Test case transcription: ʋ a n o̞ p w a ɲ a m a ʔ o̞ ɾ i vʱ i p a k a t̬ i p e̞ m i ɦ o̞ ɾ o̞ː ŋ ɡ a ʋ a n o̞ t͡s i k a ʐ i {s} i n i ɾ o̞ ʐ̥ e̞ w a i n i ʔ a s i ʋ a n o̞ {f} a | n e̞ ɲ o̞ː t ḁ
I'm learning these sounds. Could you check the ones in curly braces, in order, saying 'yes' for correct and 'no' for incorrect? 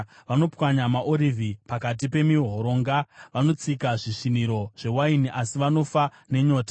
no, yes

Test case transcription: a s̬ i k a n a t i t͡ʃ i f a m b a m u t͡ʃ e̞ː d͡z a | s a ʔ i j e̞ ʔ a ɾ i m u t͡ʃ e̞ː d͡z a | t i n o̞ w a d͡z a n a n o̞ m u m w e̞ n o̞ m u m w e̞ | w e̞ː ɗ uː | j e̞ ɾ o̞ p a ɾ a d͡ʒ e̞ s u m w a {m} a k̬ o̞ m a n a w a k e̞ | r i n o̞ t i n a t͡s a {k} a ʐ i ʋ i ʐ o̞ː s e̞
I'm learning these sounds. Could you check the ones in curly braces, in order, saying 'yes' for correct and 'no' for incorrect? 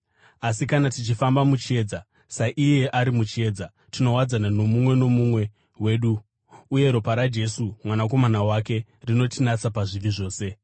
no, no

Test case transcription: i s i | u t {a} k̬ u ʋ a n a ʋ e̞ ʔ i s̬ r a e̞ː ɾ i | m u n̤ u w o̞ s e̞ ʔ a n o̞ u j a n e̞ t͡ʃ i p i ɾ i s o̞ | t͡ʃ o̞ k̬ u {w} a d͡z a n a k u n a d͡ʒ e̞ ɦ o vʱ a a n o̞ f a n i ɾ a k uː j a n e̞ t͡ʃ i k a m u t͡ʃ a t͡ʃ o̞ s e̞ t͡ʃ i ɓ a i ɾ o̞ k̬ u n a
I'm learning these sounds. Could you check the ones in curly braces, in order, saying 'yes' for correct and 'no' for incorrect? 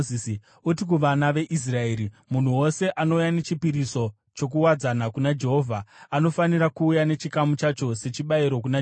no, yes

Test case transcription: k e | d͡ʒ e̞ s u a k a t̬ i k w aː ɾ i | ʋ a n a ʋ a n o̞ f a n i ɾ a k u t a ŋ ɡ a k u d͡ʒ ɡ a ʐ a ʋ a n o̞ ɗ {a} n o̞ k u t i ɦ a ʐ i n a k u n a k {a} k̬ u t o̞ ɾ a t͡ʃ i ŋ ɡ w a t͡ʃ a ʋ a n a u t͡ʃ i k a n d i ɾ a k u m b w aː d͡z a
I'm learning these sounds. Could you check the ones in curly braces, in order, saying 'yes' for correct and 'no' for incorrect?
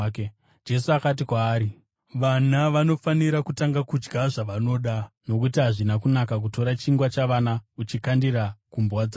yes, yes

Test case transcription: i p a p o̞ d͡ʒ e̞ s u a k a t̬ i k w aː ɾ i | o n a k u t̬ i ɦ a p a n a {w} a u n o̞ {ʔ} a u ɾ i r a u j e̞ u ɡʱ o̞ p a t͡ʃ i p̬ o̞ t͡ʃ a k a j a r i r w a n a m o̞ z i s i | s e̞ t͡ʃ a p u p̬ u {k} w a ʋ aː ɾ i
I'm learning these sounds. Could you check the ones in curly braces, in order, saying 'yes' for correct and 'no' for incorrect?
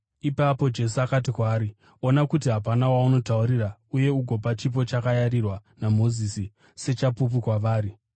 yes, no, yes

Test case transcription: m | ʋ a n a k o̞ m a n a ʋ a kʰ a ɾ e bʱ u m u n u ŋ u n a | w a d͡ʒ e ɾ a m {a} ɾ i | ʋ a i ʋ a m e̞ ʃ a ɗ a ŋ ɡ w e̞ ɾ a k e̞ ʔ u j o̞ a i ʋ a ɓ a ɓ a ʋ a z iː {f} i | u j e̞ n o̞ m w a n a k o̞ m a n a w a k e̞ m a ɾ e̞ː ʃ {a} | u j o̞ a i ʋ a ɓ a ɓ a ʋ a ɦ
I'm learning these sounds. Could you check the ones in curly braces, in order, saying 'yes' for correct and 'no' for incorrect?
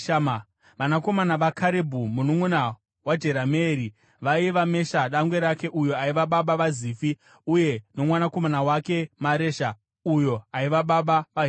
no, yes, yes

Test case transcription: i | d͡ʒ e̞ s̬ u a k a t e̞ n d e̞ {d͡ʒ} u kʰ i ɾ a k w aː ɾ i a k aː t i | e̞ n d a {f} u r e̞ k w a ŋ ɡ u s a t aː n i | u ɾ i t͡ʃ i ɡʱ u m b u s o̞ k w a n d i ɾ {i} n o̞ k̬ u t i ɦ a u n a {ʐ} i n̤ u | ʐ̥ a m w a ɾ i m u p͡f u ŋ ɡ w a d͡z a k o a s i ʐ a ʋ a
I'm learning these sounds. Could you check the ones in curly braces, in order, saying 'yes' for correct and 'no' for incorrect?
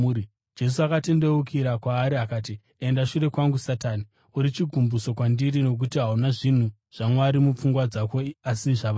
no, no, yes, yes

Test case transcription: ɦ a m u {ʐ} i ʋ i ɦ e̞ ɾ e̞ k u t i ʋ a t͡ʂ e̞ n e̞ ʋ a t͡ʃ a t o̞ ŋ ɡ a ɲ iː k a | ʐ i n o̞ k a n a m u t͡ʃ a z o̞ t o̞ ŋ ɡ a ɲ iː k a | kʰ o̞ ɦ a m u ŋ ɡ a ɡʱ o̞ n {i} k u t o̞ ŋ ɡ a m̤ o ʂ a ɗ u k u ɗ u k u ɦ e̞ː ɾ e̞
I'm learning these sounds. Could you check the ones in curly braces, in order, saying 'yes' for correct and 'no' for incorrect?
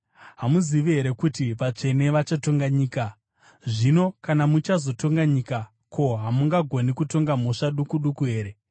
no, yes

